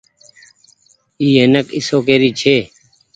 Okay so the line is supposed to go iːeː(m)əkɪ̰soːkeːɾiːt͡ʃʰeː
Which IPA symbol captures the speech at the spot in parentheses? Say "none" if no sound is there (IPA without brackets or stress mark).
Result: n